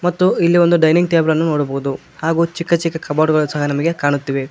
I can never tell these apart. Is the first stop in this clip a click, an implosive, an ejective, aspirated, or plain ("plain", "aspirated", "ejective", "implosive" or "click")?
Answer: plain